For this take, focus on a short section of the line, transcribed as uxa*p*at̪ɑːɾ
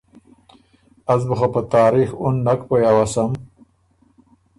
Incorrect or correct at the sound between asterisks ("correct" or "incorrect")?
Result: correct